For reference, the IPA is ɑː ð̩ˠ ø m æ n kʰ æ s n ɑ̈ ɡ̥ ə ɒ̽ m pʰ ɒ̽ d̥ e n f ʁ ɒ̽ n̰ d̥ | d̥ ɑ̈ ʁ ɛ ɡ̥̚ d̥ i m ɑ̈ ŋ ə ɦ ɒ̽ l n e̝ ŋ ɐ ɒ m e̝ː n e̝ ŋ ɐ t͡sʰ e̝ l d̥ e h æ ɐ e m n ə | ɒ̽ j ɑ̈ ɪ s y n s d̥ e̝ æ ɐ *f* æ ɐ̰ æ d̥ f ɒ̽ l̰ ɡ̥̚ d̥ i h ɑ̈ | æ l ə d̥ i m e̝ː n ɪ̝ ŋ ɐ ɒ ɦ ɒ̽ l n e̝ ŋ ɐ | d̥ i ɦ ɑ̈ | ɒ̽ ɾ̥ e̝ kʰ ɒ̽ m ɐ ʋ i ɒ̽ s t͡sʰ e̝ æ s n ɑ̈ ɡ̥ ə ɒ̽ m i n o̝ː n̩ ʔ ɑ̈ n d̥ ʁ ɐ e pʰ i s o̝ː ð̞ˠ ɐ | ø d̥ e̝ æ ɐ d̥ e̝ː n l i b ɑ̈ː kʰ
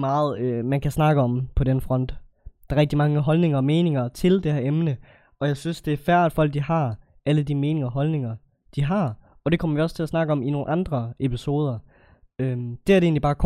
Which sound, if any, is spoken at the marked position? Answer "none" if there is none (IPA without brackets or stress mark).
f